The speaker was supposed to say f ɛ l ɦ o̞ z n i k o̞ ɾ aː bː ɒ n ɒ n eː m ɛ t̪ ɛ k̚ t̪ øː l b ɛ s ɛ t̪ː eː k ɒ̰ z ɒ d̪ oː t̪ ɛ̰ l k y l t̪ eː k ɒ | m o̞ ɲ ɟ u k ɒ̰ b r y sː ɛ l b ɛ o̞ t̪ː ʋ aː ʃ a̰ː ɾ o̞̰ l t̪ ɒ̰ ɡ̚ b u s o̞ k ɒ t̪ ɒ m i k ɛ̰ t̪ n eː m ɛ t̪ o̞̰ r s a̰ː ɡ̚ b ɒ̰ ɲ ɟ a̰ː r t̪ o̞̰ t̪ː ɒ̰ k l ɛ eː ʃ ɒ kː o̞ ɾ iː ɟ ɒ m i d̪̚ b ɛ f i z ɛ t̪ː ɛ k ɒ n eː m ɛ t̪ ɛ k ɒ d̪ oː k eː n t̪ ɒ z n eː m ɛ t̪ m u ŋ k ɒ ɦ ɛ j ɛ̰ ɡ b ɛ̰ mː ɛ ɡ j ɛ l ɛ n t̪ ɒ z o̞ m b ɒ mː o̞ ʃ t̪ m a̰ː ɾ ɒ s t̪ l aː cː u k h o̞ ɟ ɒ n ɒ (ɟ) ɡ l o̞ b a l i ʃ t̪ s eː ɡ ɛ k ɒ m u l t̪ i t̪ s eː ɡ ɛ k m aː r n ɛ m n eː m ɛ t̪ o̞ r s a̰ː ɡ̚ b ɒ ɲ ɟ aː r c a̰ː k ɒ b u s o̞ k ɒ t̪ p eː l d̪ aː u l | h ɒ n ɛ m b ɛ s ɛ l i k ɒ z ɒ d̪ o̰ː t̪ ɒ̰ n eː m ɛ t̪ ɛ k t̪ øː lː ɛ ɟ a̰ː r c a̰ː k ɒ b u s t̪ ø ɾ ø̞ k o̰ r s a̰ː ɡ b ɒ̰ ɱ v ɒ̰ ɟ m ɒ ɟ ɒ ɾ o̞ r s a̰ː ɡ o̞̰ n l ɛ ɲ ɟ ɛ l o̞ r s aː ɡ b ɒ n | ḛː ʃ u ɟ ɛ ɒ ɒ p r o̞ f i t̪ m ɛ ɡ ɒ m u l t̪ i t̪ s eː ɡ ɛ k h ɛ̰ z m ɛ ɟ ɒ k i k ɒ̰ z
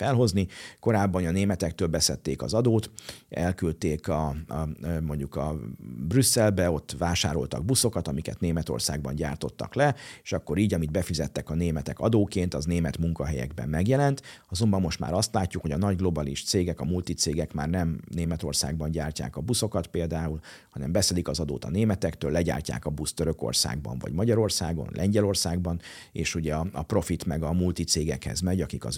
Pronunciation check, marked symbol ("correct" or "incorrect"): correct